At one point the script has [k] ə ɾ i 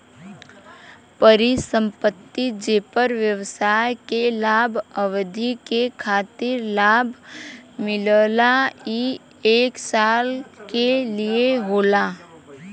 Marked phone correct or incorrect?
incorrect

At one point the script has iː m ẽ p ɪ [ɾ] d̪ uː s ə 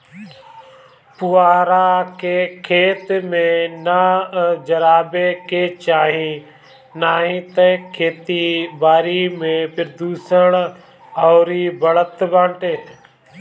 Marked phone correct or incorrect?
correct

